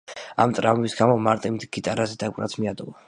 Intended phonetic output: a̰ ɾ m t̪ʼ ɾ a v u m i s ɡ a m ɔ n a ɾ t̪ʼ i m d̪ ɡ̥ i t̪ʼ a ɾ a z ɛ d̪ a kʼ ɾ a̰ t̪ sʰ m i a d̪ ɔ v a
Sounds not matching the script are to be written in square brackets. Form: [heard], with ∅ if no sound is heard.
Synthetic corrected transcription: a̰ [∅] m t̪ʼ ɾ a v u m i s ɡ a m ɔ [m] a ɾ t̪ʼ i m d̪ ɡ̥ i t̪ʼ a ɾ a z ɛ d̪ a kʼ ɾ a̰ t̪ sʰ m i a d̪ ɔ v a